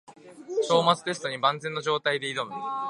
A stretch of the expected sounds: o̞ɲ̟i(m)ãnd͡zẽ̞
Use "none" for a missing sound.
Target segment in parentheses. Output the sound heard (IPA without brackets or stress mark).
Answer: b